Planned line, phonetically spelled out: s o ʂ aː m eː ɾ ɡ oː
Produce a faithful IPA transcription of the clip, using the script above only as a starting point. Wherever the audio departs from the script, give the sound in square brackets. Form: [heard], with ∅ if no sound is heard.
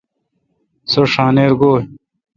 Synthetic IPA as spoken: s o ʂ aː [n] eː ɾ ɡ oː